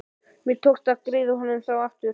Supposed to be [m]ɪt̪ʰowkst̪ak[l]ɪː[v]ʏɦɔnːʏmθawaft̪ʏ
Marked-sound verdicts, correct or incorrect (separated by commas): correct, incorrect, incorrect